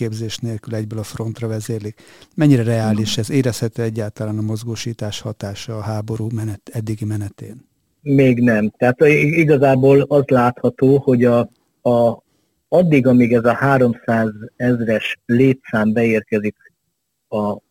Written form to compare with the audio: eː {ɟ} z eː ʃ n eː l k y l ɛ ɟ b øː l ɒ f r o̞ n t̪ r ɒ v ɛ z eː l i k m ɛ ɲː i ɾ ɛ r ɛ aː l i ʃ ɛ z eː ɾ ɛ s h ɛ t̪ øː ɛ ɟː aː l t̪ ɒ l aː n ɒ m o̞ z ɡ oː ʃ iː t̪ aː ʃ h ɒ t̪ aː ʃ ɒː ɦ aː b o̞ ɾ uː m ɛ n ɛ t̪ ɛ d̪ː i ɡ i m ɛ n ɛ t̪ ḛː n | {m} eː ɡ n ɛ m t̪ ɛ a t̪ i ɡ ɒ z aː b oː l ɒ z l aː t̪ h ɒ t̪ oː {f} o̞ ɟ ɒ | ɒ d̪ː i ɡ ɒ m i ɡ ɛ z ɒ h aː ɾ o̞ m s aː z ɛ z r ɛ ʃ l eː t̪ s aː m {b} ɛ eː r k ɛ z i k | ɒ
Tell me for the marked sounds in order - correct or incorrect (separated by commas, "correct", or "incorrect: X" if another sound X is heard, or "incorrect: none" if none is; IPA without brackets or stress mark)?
incorrect: b, correct, incorrect: h, correct